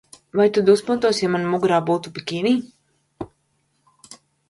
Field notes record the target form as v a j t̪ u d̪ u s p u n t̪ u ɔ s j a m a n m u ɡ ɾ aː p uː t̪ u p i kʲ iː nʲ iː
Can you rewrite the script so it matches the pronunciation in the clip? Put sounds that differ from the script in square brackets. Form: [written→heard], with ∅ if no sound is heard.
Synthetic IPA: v a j t̪ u d̪ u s p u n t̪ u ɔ s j a m a n m u ɡ ɾ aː [p→b] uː t̪ u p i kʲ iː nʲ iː